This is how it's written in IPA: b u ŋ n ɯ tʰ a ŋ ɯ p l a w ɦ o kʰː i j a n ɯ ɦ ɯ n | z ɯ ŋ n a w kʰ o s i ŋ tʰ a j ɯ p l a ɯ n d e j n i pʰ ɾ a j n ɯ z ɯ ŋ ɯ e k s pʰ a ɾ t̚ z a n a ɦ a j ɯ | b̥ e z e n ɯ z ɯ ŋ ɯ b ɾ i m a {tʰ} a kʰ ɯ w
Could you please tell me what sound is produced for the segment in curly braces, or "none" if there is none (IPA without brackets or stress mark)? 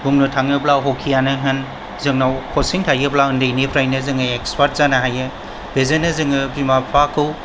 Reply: pʰ